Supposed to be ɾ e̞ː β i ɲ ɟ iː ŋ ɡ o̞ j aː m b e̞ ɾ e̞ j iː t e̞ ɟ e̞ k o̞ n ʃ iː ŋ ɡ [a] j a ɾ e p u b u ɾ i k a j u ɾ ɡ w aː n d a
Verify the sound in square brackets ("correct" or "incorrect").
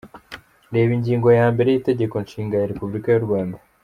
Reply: correct